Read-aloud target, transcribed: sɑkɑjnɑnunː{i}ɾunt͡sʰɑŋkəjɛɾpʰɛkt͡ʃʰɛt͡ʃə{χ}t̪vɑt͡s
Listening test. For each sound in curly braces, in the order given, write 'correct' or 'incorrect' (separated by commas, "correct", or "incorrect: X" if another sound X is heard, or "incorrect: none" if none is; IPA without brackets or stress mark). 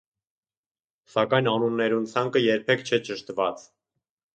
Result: incorrect: ɛ, incorrect: ʃ